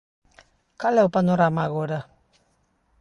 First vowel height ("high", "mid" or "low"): low